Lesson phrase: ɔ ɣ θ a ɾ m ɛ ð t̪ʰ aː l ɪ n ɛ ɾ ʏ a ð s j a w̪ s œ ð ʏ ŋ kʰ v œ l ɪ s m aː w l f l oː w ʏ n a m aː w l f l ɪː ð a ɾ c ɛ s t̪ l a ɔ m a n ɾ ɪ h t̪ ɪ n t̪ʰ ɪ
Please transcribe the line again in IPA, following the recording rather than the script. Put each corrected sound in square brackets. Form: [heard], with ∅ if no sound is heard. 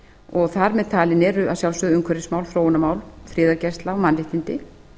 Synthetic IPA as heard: ɔ ɣ θ a ɾ m ɛ ð t̪ʰ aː l ɪ n ɛ ɾ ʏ a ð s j a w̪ s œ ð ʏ ŋ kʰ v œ [ɾ] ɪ s m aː w l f [ɾ] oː w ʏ n a m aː w l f [ɾ] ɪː ð a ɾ c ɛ s t̪ l a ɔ m a n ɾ ɪ h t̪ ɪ n [t̪] ɪ